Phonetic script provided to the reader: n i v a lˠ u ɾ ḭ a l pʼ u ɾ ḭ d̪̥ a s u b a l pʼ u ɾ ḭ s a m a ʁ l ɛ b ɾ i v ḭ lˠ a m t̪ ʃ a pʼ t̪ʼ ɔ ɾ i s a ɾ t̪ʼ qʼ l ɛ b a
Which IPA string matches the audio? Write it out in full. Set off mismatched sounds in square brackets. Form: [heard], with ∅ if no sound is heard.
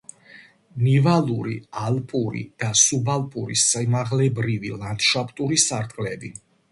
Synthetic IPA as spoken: n i v a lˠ u ɾ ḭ a l pʼ u ɾ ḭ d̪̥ a s u b a l pʼ u ɾ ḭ s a m a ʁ l ɛ b ɾ i v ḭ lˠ a [n] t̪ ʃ a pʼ t̪ʼ [u] ɾ i s a ɾ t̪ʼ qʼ l ɛ b [i]